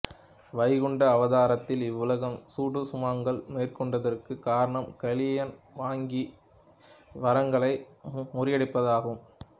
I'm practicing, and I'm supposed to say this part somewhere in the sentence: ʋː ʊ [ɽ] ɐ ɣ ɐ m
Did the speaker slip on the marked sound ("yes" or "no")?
yes